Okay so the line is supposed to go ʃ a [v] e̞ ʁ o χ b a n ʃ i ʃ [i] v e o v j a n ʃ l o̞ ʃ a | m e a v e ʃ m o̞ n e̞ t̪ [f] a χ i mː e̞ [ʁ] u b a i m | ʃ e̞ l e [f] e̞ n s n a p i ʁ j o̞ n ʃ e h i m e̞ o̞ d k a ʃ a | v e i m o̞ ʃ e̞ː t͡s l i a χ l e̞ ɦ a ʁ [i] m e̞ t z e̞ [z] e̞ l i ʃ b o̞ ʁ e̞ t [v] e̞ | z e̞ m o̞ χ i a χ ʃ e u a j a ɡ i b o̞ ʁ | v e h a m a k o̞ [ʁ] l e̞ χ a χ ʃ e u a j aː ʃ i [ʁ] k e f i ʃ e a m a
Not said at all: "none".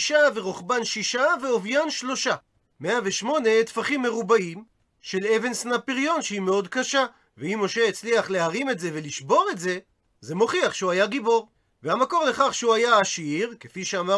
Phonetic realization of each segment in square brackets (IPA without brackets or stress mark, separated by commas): v, a, f, ʁ, v, i, v, z, ʁ, ʁ